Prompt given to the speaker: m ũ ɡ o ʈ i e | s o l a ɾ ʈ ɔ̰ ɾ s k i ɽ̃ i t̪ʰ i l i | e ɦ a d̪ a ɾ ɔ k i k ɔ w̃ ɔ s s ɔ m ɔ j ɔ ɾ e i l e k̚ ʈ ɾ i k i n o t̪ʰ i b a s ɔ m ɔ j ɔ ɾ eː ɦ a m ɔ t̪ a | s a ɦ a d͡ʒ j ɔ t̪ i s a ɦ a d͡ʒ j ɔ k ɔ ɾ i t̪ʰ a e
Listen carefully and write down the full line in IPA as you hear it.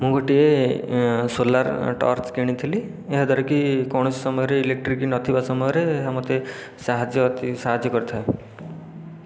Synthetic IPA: m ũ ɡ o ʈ i e | s o l a ɾ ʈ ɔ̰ ɾ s k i ɽ̃ i t̪ʰ i l i | e ɦ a d̪ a ɾ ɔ k i k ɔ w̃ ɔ s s ɔ m ɔ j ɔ ɾ e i l e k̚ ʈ ɾ i k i n ɔ t̪ʰ i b a s ɔ m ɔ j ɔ ɾ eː ɦ a m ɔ t̪ e | s a ɦ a d͡ʒ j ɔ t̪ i s a ɦ a d͡ʒ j ɔ k ɔ ɾ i t̪ʰ a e